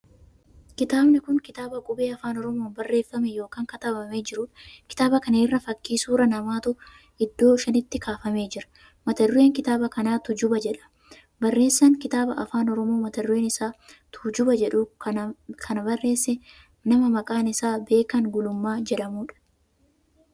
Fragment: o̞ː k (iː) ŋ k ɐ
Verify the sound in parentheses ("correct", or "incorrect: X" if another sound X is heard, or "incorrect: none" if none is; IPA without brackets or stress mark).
incorrect: aː